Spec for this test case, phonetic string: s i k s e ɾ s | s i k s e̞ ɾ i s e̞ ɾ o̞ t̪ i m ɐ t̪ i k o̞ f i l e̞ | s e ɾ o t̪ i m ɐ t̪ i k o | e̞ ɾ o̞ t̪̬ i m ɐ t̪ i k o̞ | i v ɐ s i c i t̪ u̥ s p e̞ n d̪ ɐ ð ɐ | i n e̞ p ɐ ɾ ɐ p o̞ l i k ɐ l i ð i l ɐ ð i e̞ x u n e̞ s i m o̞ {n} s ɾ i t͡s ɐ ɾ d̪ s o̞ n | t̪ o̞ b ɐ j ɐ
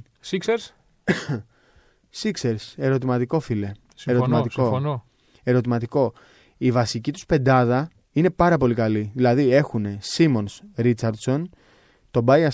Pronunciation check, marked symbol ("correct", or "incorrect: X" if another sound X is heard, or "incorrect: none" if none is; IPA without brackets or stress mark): correct